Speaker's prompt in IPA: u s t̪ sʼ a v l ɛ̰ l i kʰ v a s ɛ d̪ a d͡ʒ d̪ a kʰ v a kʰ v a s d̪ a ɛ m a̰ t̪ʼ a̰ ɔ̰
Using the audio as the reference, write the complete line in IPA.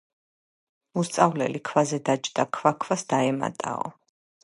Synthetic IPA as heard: u s t̪ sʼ a v l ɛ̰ l i kʰ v a z ɛ d̪ a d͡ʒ d̪ a kʰ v a kʰ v a s d̪ a ɛ m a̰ t̪ʼ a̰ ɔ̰